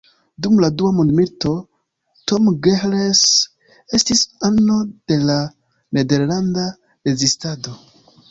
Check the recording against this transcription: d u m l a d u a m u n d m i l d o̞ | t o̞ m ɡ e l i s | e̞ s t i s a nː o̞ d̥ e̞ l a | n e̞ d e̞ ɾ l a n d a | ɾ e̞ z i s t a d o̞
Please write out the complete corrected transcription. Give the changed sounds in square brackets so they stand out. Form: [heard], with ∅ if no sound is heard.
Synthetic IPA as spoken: d u m l a d u a m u n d m i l [t] o̞ | t o̞ m ɡ e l [e] s | e̞ s t i s a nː o̞ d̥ e̞ l a | n e̞ d e̞ ɾ l a n d a | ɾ e̞ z i s t a d o̞